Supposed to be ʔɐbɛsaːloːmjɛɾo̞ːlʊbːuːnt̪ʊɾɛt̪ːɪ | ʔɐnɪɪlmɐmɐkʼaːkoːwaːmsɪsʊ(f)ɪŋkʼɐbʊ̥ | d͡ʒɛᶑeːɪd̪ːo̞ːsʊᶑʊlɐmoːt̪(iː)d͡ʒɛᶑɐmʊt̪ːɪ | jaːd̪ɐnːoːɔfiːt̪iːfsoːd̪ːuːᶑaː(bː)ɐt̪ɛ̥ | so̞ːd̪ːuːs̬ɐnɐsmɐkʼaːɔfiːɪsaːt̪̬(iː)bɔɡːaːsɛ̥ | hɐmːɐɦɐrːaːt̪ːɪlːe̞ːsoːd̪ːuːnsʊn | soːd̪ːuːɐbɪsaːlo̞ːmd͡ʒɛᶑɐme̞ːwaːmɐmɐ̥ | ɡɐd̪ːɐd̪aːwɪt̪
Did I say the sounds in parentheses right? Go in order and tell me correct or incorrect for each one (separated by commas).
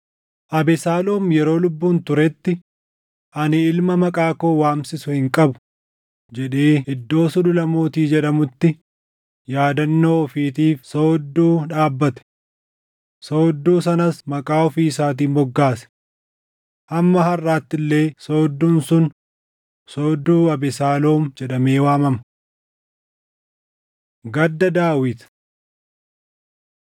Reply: incorrect, correct, correct, correct